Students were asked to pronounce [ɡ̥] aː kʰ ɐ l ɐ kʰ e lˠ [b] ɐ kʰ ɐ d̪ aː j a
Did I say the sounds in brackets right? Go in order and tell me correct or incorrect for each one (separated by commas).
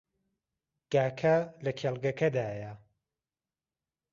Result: correct, incorrect